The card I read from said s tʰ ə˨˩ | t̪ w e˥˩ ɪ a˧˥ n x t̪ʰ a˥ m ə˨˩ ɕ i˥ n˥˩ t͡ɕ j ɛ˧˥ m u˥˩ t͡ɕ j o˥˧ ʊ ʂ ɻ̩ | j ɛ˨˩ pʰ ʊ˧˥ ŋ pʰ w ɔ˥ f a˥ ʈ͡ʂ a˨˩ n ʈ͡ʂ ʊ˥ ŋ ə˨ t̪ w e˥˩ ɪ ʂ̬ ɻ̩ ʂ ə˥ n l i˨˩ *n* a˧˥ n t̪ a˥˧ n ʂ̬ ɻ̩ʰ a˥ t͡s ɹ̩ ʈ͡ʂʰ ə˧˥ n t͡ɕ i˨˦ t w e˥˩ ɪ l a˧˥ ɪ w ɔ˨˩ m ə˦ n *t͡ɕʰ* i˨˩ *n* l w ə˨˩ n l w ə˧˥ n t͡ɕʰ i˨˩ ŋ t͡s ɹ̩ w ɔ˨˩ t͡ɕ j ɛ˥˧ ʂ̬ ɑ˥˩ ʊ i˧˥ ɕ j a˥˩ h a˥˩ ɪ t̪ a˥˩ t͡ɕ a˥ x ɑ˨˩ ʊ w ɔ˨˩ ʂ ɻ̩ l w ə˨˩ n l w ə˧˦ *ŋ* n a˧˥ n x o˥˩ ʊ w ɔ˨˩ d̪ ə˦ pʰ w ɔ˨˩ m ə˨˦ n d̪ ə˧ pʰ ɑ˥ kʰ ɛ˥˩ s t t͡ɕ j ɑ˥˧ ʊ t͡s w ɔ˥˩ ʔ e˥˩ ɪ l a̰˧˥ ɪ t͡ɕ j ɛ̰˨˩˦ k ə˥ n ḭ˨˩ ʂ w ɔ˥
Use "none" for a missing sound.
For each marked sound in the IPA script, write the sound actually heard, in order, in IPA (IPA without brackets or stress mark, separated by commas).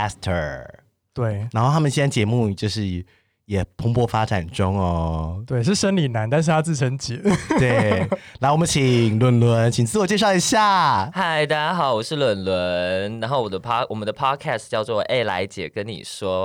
n, t͡ɕʰ, ŋ, n